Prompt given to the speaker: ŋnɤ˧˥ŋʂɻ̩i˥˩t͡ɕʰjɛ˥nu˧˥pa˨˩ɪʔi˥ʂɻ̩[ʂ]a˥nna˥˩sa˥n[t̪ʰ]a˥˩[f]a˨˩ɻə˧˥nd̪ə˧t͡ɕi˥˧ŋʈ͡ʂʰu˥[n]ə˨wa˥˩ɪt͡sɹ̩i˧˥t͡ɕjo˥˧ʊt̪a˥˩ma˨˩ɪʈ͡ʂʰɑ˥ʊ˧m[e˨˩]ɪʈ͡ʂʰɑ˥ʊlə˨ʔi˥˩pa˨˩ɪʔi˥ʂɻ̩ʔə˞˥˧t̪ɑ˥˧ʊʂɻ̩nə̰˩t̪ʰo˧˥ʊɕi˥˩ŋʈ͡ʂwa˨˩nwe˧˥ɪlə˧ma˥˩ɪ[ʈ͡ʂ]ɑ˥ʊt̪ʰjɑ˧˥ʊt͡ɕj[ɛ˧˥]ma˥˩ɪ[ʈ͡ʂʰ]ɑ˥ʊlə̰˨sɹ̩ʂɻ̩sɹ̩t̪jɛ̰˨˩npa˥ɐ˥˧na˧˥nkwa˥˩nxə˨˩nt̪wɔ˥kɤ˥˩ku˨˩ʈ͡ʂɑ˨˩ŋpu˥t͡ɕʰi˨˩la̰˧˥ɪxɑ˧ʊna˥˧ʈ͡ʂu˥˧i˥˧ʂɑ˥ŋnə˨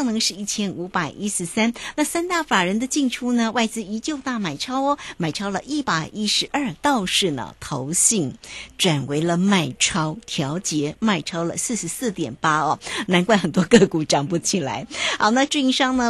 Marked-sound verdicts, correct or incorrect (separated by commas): incorrect, incorrect, correct, correct, incorrect, incorrect, correct, correct